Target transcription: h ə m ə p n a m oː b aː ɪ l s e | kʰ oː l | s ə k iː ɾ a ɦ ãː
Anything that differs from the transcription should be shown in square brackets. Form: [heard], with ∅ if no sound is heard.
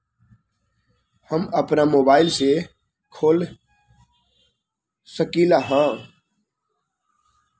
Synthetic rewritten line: h ə m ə p n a m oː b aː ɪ l s e | kʰ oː l | s ə k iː [l] a ɦ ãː